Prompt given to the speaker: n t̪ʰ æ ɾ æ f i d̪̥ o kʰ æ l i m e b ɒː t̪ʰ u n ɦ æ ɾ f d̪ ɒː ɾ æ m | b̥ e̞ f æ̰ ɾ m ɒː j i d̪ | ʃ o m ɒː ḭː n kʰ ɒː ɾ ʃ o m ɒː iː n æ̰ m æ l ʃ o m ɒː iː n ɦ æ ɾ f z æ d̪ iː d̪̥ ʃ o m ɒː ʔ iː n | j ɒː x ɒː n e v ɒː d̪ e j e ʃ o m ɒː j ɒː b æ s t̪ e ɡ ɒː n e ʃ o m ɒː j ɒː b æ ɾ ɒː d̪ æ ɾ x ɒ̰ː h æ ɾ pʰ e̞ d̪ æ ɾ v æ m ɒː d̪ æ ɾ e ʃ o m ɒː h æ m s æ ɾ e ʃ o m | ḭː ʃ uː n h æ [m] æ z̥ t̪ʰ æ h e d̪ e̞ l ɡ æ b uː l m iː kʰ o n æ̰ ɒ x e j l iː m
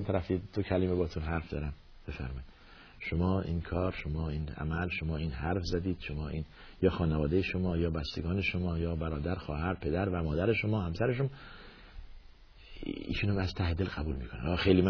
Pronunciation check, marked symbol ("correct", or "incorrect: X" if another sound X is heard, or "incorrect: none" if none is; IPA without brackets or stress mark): correct